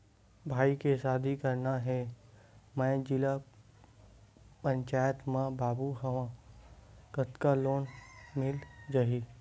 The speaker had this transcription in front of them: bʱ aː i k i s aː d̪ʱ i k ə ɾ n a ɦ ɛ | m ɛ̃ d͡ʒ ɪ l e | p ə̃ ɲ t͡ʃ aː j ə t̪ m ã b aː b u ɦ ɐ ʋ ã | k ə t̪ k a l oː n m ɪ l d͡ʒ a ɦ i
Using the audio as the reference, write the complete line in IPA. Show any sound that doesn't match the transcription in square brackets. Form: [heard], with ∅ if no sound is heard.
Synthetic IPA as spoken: bʱ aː i k [e] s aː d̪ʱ i k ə ɾ n a ɦ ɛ | m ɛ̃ d͡ʒ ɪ l [a] | p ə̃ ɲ t͡ʃ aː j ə t̪ m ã b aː b u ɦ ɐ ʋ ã | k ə t̪ k a l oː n m ɪ l d͡ʒ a ɦ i